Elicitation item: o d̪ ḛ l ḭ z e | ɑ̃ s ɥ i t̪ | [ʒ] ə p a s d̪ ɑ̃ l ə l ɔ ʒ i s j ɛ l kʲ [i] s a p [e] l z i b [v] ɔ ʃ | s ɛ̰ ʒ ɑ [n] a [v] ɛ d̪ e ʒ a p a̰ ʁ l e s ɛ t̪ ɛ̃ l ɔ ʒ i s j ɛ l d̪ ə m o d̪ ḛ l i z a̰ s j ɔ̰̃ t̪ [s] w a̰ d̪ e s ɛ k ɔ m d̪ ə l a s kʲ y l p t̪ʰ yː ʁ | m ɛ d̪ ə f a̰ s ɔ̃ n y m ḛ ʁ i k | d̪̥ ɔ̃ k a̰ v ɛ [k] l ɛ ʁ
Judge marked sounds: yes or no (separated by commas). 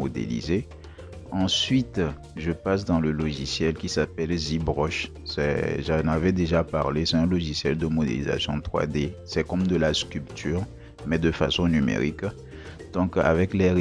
yes, yes, no, no, yes, yes, no, yes